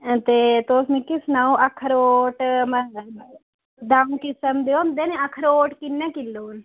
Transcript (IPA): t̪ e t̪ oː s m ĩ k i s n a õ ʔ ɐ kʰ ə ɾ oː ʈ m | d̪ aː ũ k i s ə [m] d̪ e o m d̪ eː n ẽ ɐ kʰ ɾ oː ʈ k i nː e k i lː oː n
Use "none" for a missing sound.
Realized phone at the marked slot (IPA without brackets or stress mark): m